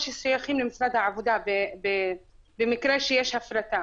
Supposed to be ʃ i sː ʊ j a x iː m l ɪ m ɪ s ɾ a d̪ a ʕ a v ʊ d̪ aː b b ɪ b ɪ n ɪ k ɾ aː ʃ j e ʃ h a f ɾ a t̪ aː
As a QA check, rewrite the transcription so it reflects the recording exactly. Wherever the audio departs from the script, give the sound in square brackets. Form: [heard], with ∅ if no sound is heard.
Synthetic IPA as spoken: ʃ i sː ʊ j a x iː m l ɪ m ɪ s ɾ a d̪ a ʕ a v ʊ d̪ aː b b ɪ b ɪ [m] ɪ k ɾ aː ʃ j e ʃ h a f ɾ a t̪ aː